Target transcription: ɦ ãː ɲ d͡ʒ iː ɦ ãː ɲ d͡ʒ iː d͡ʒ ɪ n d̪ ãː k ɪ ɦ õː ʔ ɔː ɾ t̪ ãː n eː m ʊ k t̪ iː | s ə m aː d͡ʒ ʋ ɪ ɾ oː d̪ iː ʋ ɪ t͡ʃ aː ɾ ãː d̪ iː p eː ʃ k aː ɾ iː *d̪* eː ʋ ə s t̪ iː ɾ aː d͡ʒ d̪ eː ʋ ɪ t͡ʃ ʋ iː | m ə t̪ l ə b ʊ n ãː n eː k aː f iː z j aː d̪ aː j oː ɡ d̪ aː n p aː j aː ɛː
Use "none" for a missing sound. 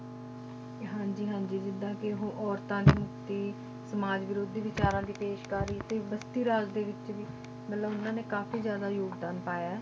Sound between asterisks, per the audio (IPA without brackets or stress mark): t̪